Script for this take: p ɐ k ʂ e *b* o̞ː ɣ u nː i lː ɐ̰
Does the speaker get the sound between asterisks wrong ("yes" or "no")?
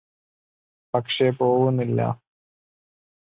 yes